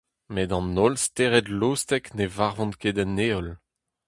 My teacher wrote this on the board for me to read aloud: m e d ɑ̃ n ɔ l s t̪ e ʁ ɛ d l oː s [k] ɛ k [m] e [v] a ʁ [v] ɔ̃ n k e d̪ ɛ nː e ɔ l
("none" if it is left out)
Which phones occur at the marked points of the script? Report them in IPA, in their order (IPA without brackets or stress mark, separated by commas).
t, n, v, v